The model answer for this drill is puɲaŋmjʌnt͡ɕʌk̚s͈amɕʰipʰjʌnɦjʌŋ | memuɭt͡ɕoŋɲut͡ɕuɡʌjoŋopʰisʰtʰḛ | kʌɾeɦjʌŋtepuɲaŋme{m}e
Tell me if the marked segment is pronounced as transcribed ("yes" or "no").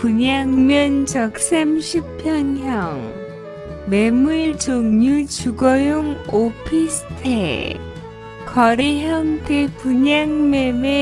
yes